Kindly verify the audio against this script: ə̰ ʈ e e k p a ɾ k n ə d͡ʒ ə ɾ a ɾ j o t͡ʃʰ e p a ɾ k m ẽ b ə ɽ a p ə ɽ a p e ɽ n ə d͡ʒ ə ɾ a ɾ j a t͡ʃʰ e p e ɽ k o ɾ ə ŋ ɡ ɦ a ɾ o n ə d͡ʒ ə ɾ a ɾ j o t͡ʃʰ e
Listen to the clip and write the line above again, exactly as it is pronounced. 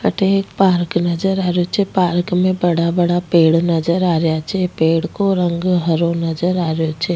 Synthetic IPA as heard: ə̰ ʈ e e k p a ɾ k n ə d͡ʒ ə ɾ a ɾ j o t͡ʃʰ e p a ɾ k m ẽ b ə ɽ a b ə ɽ a p e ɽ n ə d͡ʒ ə ɾ a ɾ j a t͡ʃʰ e p e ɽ k o ɾ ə ŋ ɡ ɦ ə ɾ o n ə d͡ʒ ə ɾ a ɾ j o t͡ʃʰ e